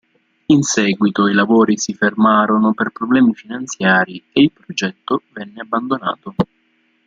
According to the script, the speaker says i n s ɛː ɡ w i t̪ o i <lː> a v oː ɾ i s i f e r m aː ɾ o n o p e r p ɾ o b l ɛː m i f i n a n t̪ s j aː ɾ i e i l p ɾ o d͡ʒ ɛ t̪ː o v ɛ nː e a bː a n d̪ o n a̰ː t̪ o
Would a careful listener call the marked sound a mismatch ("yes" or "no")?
yes